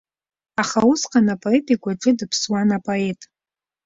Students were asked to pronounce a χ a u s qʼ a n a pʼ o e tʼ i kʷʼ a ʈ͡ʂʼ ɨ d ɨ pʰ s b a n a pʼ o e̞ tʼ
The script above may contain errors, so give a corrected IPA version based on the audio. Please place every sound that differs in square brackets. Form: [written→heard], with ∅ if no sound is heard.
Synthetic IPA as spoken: a χ a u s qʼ a n a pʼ o e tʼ i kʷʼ a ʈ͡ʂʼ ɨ d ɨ pʰ s [b→w] a n a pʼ o e̞ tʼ